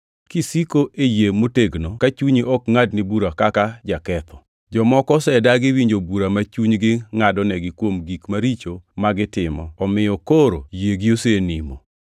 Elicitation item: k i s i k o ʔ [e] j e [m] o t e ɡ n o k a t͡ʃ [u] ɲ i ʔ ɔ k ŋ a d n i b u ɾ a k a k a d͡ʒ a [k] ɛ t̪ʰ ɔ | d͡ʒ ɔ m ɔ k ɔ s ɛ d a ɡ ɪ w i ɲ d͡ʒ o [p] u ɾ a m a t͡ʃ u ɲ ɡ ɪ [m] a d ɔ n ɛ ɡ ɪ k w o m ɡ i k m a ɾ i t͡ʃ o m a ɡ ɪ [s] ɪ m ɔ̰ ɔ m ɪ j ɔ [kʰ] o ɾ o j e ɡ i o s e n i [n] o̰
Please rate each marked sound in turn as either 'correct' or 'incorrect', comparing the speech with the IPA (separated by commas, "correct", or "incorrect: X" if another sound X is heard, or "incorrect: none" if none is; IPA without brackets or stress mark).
correct, correct, correct, correct, incorrect: b, incorrect: ŋ, incorrect: t, incorrect: k, incorrect: m